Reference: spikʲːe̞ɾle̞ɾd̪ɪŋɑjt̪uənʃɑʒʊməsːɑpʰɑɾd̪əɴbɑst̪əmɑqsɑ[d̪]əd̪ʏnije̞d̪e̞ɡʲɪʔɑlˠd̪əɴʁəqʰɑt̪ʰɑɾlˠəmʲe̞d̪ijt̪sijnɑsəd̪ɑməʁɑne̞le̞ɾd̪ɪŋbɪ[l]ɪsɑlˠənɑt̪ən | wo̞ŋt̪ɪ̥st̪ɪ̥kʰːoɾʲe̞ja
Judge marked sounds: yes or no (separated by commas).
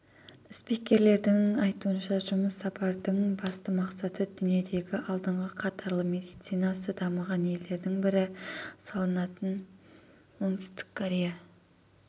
no, no